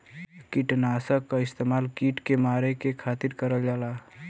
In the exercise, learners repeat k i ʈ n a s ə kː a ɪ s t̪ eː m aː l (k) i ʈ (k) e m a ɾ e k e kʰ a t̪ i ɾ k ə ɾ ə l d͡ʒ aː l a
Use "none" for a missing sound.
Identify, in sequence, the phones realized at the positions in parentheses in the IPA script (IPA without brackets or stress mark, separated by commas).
k, k